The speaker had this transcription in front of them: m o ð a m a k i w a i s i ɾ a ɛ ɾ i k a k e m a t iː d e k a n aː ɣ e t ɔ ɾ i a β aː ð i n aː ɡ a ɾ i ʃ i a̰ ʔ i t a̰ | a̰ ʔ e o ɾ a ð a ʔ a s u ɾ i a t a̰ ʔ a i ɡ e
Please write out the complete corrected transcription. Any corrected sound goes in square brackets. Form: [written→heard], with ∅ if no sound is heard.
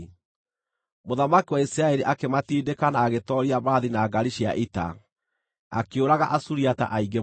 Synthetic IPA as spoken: m o ð a m a k i w a i s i ɾ a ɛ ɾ i [k→ʔ] a k e m a t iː d e k a n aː ɣ e t ɔ ɾ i a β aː ð i n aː ɡ a ɾ i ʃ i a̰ ʔ i t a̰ | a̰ [ʔ→k] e o ɾ a [ð→ɣ] a ʔ a s u ɾ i a t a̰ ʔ a i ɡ e